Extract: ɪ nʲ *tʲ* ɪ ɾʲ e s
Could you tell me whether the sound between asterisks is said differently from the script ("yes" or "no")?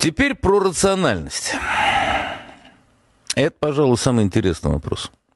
no